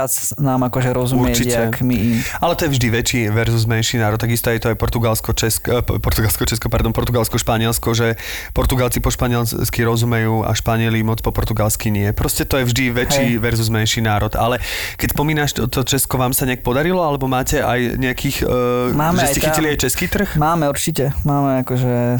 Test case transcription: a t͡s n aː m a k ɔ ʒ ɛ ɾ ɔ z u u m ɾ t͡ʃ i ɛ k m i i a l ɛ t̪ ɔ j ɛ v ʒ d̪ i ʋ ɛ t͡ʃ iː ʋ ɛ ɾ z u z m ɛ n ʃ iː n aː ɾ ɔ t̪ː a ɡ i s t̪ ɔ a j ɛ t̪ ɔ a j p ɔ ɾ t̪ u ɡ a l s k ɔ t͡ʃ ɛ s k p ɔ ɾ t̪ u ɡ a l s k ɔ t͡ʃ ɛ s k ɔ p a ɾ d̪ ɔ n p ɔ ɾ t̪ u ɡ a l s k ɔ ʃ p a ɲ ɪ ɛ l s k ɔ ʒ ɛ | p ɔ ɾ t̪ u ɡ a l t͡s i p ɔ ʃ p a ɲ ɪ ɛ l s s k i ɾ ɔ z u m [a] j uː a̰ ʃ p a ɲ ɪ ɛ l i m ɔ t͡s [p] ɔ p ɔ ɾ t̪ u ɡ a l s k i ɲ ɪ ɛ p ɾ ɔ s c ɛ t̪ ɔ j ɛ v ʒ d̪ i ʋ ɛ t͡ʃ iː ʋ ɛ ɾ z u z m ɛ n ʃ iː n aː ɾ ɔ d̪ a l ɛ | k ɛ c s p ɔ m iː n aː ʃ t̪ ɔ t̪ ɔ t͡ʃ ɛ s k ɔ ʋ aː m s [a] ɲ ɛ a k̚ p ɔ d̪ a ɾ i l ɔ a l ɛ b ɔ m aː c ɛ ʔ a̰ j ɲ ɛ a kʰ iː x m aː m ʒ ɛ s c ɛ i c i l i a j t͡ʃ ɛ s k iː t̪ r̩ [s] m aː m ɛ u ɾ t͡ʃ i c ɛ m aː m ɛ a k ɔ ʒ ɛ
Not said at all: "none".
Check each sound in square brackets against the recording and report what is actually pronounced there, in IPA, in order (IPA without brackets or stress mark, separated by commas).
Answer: ɛ, p, a, x